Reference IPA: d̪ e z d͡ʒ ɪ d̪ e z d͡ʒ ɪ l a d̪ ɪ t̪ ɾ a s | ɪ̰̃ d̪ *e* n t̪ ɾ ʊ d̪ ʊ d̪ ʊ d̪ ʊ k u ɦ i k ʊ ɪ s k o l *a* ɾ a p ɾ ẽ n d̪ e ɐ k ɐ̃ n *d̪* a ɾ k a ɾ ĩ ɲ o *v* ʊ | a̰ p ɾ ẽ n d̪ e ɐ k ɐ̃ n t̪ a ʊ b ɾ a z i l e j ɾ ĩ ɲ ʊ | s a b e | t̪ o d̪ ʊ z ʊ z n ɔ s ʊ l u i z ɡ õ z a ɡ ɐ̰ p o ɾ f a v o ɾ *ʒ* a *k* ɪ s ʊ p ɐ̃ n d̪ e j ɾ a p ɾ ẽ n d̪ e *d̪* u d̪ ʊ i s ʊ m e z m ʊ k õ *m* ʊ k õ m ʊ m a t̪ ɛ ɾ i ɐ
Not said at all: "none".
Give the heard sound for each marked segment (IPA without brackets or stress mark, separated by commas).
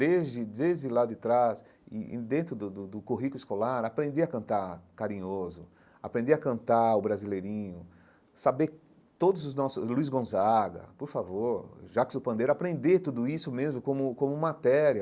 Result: ẽ, a, t̪, z, ʒ, k, t̪, m